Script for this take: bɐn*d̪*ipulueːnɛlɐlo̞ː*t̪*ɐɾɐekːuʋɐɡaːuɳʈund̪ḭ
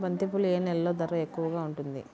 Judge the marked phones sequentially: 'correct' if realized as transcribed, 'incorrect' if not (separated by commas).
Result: incorrect, incorrect